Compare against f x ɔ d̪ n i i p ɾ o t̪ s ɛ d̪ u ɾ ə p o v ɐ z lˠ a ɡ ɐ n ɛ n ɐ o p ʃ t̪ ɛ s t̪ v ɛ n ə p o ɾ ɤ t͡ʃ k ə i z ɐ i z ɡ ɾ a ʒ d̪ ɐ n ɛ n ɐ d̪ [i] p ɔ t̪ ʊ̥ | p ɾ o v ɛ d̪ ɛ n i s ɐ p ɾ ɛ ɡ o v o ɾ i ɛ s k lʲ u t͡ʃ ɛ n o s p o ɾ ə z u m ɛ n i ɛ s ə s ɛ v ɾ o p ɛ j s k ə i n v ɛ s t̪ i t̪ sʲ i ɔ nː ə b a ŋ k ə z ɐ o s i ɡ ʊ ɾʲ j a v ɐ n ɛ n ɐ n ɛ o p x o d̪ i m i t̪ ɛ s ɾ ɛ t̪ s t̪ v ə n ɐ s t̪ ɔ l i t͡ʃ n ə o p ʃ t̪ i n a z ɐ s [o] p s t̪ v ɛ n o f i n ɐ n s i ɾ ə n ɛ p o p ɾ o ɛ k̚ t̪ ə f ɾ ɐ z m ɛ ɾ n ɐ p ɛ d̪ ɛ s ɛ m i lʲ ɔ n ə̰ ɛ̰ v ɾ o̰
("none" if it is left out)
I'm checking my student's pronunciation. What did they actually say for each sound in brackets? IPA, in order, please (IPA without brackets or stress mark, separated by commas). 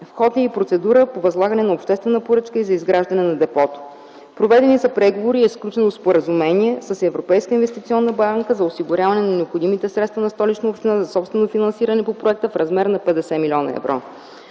ɛ, ɔ